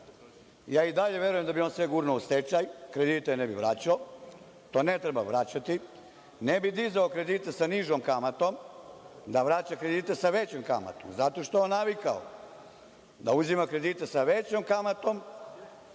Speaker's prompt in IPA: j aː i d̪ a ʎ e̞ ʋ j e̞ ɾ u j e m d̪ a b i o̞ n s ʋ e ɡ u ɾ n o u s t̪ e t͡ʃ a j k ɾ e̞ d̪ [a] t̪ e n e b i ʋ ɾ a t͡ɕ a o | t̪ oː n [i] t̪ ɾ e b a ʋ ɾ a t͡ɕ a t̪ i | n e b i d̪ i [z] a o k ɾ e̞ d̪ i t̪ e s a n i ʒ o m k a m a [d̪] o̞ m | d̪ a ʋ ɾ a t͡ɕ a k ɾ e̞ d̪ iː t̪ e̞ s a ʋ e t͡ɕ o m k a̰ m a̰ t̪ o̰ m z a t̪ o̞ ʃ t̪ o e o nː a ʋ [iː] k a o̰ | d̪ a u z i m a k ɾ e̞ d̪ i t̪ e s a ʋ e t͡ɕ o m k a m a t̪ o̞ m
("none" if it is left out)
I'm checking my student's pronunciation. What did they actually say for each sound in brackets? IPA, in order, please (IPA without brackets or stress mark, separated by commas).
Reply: i, e, z, t̪, i